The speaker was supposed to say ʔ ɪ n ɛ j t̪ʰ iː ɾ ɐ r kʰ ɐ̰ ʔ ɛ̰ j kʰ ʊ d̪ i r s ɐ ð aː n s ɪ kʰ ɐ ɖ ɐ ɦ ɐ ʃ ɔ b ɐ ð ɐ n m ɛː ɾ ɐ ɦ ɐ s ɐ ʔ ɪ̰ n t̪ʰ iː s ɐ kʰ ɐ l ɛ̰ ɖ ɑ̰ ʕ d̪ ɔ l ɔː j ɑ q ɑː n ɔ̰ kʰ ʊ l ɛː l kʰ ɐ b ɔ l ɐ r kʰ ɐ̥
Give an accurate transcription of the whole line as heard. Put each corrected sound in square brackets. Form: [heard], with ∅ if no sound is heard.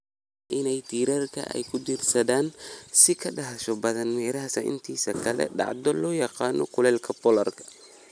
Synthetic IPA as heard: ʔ ɪ n ɛ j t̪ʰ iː ɾ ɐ r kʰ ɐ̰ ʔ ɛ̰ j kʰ ʊ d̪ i r s ɐ ð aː n s ɪ kʰ ɐ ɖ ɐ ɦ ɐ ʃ ɔ b ɐ ð ɐ n m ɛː ɾ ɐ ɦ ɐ s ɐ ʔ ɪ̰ n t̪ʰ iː s ɐ kʰ ɐ l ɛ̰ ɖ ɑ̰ ʕ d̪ ɔ l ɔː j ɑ q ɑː n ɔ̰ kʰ ʊ l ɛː l kʰ ɐ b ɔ l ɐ r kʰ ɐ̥